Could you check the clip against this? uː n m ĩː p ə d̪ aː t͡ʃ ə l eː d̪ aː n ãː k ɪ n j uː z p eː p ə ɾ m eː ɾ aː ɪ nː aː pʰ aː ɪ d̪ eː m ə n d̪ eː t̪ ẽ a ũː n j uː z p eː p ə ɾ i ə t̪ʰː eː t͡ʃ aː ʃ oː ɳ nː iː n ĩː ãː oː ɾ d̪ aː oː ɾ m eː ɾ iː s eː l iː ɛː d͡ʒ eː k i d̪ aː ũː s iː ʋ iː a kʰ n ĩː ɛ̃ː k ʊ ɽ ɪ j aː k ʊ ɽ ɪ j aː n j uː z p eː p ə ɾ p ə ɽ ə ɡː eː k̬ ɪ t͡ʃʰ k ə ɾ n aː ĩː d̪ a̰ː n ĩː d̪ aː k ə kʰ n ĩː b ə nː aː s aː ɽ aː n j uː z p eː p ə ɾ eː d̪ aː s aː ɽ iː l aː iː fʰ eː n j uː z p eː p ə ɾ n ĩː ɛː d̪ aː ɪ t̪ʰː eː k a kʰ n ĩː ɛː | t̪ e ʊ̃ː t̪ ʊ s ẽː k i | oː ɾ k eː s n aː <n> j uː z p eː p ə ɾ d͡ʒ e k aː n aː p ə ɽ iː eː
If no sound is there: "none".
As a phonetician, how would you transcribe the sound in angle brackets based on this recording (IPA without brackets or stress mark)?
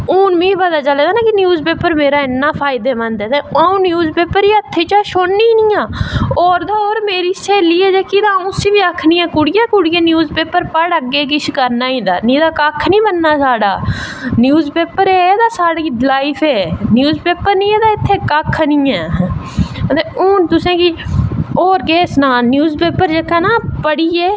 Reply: n